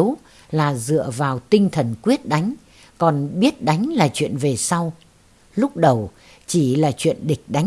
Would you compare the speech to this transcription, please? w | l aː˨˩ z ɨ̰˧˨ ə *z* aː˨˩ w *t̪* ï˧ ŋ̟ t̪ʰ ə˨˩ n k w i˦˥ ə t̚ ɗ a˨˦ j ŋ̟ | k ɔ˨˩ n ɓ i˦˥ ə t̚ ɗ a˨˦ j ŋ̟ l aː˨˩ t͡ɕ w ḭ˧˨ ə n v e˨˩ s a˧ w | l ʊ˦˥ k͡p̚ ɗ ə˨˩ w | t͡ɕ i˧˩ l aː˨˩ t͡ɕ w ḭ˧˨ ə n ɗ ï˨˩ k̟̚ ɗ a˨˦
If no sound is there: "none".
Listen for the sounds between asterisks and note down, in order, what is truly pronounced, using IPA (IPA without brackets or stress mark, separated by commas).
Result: v, t̪